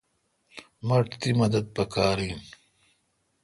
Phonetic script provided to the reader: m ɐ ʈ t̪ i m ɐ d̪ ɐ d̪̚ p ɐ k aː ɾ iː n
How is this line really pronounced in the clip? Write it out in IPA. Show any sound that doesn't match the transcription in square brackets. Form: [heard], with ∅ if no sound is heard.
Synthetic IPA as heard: m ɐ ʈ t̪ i m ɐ d̪ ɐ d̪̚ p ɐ k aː ɾ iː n